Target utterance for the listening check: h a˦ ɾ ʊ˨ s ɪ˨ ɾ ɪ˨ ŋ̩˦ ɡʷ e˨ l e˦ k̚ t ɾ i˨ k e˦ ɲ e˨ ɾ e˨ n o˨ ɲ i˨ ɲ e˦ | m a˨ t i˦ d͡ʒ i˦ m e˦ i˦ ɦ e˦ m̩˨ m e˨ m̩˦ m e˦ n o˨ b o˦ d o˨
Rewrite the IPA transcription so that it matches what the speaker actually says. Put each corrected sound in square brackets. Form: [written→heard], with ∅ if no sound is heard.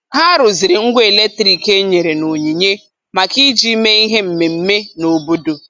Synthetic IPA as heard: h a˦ ɾ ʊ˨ [s→z] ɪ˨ ɾ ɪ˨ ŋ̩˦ ɡʷ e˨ l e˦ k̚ t ɾ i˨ k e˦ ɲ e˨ ɾ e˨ n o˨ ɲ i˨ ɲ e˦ | m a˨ [t→k] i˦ d͡ʒ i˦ m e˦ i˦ ɦ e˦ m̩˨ m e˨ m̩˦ m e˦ n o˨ b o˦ d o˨